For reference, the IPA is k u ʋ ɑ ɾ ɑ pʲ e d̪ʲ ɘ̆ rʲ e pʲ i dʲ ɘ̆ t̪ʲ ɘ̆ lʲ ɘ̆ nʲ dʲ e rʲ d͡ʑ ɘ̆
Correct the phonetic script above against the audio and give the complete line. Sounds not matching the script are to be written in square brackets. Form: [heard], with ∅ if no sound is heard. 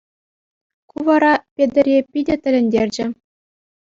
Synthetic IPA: k u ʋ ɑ ɾ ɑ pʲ e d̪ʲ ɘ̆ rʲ e pʲ i dʲ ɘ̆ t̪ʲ ɘ̆ lʲ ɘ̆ nʲ dʲ e rʲ d͡ʑ ɘ̆